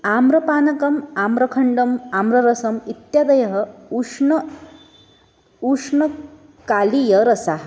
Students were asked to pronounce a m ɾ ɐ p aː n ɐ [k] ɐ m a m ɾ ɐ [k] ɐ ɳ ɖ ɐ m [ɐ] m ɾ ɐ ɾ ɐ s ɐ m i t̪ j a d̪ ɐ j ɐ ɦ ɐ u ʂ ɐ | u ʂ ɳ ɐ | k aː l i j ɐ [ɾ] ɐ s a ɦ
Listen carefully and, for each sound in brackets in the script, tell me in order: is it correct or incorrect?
correct, incorrect: kʰ, incorrect: a, correct

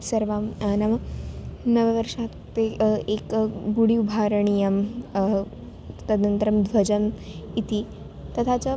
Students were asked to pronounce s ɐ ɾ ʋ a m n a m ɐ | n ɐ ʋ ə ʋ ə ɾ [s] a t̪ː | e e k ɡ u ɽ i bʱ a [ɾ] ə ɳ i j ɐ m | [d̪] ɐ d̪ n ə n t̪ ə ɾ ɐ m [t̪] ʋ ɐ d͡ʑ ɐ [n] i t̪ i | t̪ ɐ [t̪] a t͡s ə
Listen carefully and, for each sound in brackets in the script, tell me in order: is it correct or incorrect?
incorrect: ʂ, correct, incorrect: t̪, incorrect: d̪, incorrect: m, incorrect: t̪ʰ

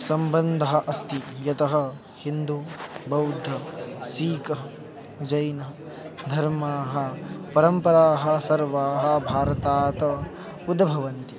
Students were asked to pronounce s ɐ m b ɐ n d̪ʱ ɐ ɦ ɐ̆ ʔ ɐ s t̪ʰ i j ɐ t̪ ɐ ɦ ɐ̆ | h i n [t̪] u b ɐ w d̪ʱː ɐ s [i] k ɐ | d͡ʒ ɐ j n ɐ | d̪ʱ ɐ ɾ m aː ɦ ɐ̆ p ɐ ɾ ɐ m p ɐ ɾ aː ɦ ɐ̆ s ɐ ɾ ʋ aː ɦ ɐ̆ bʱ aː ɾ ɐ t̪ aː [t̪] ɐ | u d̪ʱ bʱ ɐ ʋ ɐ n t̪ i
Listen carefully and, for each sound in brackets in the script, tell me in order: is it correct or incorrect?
incorrect: d̪, incorrect: iː, correct

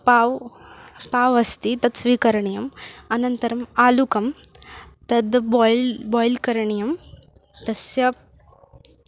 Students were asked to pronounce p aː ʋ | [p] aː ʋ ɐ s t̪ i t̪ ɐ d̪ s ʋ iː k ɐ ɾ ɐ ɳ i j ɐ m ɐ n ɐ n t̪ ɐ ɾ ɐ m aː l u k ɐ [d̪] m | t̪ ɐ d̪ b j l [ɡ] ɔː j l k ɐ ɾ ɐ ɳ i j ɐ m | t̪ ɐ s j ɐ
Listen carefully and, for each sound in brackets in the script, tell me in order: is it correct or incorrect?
correct, incorrect: none, incorrect: b

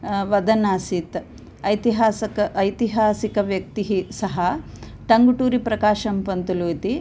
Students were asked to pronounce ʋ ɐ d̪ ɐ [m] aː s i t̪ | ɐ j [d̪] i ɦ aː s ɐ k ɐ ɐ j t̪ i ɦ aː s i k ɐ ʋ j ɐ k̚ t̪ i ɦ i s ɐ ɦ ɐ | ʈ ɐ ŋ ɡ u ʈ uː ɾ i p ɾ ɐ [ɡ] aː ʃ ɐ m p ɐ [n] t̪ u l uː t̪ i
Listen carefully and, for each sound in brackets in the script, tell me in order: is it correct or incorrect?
incorrect: n, incorrect: t̪, incorrect: k, correct

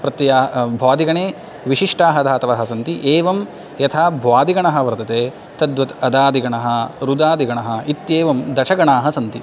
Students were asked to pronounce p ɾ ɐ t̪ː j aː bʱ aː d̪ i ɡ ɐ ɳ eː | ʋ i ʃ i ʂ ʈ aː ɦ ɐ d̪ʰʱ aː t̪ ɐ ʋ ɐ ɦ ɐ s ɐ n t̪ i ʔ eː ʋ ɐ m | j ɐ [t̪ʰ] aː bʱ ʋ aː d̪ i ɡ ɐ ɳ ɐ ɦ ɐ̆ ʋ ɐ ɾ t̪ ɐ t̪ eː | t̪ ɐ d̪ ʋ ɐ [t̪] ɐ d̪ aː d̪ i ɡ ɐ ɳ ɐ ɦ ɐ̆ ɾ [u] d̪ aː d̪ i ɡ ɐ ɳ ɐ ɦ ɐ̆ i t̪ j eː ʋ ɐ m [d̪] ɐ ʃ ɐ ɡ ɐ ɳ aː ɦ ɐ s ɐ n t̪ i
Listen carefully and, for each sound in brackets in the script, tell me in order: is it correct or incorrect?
correct, correct, correct, correct

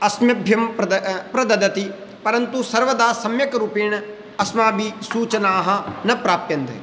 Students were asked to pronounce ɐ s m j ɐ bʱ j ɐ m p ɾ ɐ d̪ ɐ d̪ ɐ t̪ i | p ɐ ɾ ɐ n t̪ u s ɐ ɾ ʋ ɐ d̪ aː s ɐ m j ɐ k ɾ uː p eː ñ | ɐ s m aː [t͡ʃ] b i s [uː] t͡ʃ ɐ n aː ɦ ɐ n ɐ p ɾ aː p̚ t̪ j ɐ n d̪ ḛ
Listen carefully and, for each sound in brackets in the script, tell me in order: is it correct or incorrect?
incorrect: none, correct

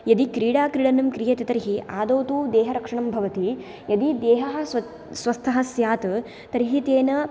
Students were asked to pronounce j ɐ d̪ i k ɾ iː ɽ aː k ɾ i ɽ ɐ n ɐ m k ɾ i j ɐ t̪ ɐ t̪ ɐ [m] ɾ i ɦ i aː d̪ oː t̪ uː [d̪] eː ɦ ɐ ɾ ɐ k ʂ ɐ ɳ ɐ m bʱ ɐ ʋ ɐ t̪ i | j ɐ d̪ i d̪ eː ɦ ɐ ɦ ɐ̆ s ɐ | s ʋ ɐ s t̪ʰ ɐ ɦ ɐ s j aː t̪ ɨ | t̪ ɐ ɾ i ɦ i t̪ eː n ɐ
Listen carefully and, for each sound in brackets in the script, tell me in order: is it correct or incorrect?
incorrect: none, correct

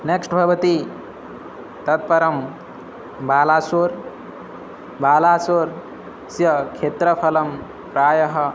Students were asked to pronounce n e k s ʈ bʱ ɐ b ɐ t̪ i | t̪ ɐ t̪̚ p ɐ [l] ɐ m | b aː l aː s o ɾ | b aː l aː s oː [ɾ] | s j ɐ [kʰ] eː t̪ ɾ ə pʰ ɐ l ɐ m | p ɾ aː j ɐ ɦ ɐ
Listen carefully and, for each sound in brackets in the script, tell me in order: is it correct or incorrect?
incorrect: ɾ, correct, correct

